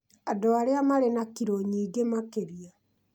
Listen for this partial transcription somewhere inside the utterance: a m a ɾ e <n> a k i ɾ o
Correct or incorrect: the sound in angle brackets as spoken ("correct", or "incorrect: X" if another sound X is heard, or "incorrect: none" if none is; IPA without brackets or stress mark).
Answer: correct